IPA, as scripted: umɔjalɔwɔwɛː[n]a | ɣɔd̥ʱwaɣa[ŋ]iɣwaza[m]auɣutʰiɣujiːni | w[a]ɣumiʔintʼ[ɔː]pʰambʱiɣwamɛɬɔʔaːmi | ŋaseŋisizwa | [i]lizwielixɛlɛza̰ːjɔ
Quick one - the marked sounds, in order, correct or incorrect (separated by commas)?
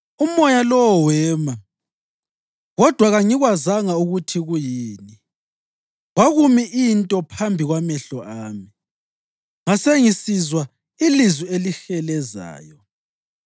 incorrect, correct, incorrect, correct, incorrect, correct